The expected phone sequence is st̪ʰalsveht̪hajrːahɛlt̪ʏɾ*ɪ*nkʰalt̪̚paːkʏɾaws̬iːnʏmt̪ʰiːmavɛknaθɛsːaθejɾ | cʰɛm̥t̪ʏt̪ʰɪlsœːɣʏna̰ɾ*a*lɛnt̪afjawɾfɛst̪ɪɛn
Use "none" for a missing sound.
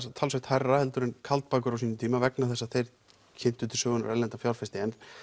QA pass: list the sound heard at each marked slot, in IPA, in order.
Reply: ɪ, ɛ

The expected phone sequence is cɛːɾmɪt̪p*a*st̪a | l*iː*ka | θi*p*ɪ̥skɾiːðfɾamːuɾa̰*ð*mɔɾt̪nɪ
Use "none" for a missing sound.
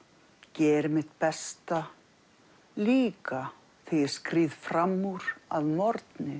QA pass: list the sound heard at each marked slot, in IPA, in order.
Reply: ɛ, iː, none, ð

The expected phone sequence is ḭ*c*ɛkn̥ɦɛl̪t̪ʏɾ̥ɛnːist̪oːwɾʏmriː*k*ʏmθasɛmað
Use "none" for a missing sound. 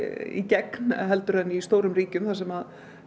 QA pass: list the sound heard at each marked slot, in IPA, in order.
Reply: c, c

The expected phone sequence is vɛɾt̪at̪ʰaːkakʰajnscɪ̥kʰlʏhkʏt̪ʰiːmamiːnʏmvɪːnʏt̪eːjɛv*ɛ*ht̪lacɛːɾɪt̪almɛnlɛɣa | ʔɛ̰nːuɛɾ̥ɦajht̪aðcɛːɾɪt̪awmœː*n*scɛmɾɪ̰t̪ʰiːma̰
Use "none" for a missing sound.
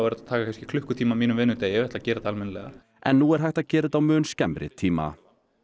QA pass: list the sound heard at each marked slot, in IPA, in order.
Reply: ɛ, n

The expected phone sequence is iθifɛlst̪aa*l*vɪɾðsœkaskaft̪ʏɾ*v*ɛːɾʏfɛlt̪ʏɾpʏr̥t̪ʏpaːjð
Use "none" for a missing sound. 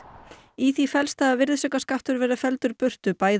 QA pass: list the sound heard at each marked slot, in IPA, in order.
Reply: none, v

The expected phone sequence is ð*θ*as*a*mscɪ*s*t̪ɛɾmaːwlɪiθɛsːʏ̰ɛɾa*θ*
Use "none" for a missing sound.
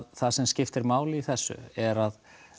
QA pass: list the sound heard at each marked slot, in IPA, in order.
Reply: θ, ɛ, f, ð

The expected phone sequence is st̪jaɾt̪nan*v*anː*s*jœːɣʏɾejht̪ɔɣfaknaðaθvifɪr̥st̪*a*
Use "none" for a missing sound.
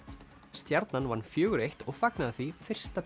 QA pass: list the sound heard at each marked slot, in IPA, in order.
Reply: v, f, a

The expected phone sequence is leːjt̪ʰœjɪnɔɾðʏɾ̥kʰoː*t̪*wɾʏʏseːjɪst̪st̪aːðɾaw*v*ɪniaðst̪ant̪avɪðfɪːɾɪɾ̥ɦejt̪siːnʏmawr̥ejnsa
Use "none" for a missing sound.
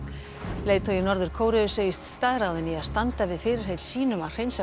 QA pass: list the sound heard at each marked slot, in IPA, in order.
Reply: none, ð

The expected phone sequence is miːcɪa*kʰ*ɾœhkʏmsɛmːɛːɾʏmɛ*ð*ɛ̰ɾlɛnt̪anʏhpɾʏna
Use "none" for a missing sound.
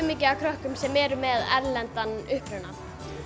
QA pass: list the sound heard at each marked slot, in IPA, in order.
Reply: kʰ, ð

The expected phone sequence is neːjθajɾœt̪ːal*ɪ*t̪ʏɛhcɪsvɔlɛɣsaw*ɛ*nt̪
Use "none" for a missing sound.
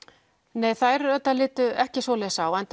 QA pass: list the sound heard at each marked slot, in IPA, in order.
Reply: ɪː, ɛ

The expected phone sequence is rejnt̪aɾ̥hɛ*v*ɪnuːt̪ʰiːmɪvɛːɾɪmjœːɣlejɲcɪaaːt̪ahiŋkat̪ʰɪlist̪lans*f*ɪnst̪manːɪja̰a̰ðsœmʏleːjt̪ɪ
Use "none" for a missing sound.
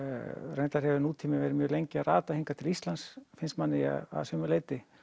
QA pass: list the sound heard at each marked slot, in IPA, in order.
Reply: v, f

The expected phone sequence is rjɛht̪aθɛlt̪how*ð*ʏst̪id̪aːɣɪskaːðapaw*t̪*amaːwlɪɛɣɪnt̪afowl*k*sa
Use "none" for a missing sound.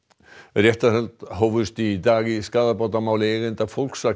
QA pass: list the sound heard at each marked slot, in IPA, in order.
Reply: v, t̪, k

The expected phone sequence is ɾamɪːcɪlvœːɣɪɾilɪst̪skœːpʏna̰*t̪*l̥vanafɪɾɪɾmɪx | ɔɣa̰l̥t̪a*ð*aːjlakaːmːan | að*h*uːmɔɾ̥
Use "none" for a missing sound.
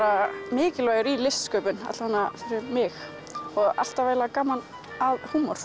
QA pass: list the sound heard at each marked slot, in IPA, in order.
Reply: t̪, v, h

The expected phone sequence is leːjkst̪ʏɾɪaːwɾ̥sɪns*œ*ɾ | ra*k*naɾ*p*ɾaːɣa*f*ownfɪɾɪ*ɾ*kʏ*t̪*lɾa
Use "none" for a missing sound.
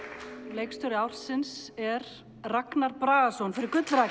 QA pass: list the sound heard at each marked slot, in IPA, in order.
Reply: ɛ, k, p, s, ɾ, t̪

